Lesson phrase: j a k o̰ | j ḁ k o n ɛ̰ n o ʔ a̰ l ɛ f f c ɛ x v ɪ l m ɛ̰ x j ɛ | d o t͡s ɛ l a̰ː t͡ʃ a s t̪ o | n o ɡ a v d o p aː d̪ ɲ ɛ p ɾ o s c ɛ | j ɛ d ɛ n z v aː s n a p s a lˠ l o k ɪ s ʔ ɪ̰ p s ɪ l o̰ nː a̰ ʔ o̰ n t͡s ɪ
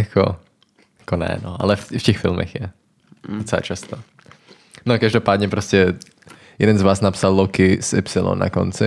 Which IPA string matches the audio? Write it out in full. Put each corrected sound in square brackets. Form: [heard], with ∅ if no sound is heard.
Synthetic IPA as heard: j a k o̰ | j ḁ k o n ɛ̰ n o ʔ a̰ l ɛ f f c ɛ x [f] ɪ l m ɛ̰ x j ɛ | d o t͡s ɛ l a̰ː t͡ʃ a s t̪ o | n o [k] a [ʒ] d o p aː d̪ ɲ ɛ p ɾ o s c ɛ | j ɛ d ɛ n z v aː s n a p s a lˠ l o k ɪ s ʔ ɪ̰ p s ɪ l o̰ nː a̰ [k] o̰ n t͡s ɪ